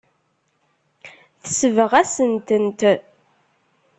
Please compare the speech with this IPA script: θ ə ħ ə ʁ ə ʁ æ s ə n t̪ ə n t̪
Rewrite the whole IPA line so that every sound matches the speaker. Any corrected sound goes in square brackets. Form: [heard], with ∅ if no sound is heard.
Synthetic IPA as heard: θ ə [s] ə [v] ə ʁ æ s ə n t̪ ə n t̪